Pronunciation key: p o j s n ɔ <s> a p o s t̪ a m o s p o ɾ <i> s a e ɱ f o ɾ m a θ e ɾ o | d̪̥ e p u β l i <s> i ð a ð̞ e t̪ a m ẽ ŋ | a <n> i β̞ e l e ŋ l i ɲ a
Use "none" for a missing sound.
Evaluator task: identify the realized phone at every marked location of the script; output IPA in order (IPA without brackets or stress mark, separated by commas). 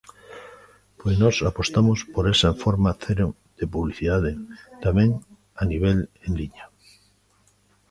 s, e, θ, n